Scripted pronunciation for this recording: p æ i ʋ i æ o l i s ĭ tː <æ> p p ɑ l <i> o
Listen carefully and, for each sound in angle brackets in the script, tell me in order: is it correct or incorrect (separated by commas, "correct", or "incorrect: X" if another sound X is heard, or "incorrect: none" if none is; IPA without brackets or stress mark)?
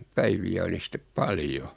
incorrect: e, incorrect: j